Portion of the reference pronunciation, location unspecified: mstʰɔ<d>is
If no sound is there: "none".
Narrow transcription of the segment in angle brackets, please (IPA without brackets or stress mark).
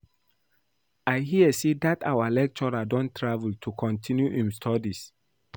d